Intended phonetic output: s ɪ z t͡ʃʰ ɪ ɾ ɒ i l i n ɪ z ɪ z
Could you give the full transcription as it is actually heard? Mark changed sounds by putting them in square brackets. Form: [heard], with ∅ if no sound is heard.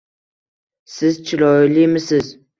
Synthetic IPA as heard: s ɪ z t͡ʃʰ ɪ [l] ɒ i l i [m] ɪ [s] ɪ z